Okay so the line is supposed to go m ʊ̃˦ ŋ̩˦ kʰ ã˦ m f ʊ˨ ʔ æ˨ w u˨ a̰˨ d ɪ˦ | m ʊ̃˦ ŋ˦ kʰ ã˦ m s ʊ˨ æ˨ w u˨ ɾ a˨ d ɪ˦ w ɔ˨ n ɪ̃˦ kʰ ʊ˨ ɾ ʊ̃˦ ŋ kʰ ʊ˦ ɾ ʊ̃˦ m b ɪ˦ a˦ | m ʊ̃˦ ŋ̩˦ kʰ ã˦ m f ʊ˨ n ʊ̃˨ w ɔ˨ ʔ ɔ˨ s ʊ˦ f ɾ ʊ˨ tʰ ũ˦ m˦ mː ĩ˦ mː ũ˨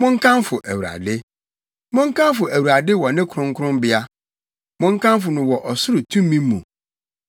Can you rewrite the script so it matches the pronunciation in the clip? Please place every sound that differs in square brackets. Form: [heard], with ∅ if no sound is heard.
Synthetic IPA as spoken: m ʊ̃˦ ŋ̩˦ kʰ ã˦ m f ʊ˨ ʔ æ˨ w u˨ a̰˨ d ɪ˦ | m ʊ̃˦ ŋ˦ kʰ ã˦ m [f] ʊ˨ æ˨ w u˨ ɾ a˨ d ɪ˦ w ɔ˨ n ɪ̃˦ kʰ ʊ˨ ɾ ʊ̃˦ ŋ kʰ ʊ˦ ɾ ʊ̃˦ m b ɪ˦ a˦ | m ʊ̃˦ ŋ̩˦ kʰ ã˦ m f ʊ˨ n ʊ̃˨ w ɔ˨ ʔ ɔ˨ s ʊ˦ [∅] ɾ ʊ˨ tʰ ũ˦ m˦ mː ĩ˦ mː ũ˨